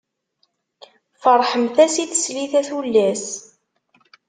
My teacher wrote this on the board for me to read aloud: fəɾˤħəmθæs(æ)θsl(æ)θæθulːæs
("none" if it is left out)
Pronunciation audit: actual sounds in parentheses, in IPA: i, i

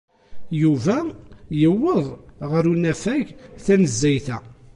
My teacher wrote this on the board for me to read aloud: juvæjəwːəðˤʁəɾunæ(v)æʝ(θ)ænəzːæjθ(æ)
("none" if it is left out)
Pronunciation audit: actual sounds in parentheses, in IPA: f, θ, æ

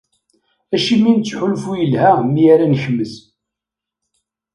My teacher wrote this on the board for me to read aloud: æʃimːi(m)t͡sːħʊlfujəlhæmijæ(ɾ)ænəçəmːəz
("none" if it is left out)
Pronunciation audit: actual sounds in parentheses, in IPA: n, ɾ

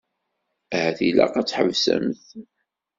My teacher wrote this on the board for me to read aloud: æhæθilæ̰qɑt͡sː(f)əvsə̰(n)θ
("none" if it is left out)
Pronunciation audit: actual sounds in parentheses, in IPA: ħ, m

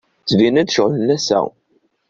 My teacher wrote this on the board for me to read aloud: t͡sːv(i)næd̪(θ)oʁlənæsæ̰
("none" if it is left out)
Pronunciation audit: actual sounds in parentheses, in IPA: i, ʃ

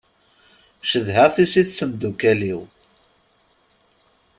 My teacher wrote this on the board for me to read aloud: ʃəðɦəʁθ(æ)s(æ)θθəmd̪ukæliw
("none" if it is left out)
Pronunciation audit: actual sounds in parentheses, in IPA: i, i

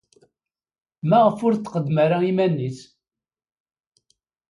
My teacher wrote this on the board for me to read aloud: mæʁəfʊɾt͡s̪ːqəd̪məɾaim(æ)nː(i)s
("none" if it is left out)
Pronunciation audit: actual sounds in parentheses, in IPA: æ, i

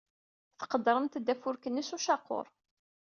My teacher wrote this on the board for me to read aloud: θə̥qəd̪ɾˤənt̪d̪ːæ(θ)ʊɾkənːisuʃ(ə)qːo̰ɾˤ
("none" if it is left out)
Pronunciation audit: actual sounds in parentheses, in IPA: f, ɑ

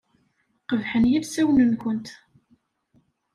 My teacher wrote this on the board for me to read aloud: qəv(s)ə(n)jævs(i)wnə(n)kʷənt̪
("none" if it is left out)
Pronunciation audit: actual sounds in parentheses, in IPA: ħ, n, æ, n

